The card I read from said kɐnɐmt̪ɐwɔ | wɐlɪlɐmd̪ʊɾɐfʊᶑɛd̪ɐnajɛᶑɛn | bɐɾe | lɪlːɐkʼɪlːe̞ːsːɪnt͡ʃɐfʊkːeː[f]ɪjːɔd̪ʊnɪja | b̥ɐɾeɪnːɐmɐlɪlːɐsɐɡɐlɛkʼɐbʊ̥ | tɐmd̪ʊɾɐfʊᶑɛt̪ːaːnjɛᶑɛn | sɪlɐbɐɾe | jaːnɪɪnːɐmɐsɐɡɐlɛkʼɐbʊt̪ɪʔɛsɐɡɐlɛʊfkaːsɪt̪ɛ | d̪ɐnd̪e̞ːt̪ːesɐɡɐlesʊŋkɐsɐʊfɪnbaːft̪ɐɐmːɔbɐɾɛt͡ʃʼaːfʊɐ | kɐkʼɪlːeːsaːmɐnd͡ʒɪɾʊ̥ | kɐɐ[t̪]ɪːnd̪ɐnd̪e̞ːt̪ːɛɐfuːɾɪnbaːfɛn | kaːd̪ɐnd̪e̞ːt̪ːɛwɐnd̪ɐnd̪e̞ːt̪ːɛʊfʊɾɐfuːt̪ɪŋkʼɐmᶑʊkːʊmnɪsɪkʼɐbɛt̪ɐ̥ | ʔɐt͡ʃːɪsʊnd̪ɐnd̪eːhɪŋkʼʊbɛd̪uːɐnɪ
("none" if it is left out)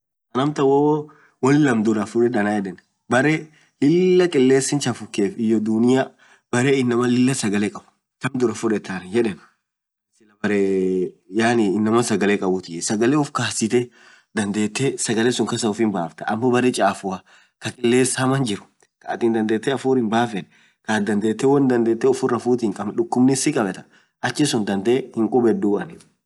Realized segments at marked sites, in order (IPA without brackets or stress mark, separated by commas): f, t̪